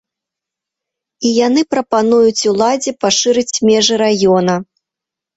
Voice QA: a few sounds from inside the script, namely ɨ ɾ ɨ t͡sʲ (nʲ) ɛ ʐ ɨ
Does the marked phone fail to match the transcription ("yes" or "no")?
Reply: yes